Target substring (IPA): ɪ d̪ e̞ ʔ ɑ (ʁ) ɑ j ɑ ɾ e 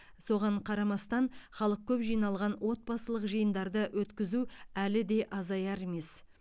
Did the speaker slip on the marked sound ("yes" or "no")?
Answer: yes